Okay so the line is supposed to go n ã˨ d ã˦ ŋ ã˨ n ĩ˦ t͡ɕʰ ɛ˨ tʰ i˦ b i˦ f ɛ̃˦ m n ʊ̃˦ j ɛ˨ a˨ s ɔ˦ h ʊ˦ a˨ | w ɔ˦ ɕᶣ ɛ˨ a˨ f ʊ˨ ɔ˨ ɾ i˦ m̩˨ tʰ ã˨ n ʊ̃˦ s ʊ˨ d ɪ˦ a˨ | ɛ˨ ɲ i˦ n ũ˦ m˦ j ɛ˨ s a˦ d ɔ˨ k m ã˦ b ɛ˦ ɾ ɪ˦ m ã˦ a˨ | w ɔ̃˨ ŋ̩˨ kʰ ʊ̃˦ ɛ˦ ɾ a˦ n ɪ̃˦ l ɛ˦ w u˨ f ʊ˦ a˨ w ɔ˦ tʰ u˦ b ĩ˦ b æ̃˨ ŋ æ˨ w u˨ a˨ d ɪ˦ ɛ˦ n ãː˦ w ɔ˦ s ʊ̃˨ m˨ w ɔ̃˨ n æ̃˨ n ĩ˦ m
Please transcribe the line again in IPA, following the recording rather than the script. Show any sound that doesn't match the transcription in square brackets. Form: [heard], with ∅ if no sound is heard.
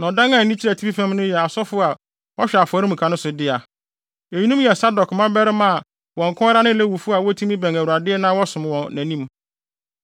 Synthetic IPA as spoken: n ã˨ d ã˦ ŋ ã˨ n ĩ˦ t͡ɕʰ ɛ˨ tʰ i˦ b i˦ f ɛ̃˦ m n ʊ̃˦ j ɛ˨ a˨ s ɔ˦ [f] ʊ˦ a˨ | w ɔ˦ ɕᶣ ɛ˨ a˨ f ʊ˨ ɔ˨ ɾ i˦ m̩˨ [kʰ] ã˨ n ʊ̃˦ s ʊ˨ d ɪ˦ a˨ | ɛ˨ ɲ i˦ n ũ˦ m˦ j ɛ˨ s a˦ d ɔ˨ k m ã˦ b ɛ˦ ɾ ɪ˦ m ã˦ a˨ | w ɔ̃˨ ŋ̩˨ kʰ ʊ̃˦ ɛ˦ ɾ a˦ n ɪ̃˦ l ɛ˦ w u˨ f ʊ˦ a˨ w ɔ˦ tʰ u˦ [m] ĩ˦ b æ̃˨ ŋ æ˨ w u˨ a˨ d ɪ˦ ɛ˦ n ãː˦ w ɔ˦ s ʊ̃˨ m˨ w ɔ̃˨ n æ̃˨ n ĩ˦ m